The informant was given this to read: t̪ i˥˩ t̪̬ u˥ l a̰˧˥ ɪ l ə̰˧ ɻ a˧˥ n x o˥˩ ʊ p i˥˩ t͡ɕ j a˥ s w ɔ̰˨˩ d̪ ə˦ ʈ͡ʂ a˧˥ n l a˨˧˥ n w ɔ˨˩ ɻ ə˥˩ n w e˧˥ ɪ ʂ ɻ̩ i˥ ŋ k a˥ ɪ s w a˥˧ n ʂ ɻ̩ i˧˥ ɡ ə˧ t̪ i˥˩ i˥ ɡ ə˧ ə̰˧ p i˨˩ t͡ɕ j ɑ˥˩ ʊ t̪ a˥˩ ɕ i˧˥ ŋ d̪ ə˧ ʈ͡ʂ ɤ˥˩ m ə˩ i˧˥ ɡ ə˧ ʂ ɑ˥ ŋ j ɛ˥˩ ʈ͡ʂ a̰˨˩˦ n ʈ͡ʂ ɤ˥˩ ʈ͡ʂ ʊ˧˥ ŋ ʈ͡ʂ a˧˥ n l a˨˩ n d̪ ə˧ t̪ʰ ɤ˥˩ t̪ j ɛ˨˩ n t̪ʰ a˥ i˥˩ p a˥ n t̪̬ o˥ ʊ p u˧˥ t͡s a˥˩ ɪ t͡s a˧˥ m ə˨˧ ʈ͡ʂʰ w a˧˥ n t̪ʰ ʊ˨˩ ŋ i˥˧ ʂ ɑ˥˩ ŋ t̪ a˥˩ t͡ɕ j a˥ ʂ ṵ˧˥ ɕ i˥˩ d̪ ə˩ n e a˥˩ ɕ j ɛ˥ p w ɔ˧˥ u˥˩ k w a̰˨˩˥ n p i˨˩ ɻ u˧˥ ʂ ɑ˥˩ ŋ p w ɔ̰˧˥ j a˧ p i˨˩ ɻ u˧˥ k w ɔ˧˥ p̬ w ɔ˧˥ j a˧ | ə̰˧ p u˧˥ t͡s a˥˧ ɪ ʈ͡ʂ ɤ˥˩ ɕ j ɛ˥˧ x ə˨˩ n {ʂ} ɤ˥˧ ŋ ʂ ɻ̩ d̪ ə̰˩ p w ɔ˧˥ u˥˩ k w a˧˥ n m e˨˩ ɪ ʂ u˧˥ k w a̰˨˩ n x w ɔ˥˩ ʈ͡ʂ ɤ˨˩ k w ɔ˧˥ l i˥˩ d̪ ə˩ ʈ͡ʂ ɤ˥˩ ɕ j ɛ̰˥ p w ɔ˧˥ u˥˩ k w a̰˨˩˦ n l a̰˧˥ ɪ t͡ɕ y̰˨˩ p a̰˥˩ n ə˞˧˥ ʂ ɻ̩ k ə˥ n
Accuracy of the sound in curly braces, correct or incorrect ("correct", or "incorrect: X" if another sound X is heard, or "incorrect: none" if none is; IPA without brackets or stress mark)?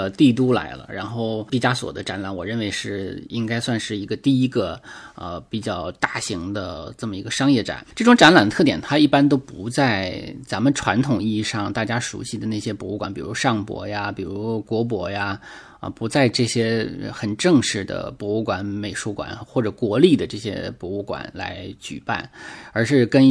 incorrect: ʈ͡ʂ